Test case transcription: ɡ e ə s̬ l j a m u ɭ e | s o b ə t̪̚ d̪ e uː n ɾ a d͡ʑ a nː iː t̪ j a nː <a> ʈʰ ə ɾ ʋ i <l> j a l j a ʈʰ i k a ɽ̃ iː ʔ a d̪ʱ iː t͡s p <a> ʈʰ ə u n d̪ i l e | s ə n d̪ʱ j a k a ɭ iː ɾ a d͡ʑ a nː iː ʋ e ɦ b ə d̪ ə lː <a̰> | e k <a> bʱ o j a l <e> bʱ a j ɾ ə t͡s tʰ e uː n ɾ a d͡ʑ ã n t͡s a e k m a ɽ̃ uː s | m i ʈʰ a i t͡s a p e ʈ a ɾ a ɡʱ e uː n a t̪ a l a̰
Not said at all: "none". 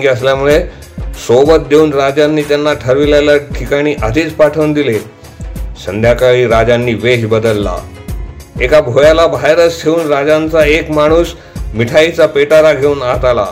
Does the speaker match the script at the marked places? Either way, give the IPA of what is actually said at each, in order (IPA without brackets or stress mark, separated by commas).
a, l, a, a̰, a, a